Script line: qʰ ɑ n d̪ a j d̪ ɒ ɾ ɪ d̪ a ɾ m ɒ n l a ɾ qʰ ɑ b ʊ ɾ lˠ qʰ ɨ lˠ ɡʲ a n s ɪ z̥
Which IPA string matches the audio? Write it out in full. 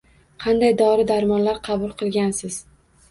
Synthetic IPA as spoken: qʰ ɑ n d̪ a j d̪ ɒ ɾ ɪ d̪ a ɾ m ɒ n l a ɾ qʰ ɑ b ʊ lˠ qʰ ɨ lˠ ɡʲ a n s ɪ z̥